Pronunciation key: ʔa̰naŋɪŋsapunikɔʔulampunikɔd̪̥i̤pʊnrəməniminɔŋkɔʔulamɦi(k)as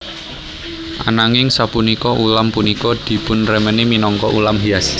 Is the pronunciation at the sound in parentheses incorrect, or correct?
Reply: incorrect